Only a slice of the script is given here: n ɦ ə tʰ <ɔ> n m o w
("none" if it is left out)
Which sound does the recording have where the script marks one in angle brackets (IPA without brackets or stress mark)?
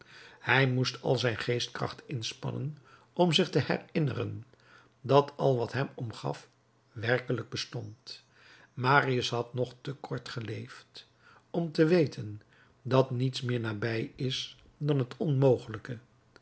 ɔ